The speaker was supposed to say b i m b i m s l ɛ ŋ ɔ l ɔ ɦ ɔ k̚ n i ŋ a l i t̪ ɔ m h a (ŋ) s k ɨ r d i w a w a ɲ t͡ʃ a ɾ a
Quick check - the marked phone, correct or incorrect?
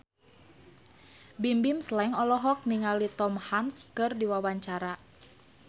incorrect: n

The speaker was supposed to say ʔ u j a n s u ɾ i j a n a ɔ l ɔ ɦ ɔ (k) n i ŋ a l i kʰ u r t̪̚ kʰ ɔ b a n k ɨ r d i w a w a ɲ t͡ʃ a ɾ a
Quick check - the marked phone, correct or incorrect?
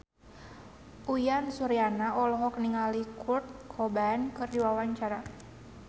correct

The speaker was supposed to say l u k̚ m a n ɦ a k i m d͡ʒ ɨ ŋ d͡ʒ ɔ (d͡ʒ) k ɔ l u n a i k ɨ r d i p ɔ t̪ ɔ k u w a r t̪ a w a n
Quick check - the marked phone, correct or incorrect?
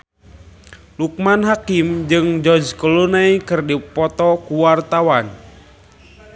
correct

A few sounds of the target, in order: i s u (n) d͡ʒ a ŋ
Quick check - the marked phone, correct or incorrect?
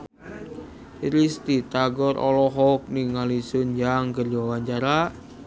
correct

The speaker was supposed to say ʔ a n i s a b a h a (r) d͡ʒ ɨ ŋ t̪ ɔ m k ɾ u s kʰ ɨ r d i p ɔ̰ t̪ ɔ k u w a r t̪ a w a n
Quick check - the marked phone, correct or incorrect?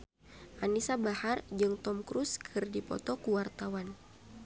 correct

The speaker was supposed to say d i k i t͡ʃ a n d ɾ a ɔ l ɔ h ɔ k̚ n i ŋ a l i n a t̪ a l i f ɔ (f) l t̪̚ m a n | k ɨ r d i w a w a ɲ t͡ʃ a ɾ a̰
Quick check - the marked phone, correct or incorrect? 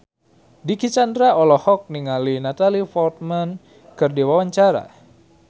incorrect: none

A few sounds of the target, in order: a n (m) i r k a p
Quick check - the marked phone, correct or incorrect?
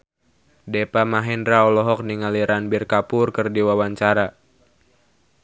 incorrect: b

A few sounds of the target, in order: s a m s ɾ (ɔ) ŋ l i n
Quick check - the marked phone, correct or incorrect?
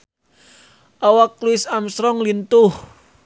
correct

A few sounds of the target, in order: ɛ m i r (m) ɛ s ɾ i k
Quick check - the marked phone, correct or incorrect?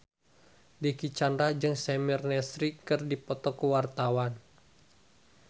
incorrect: n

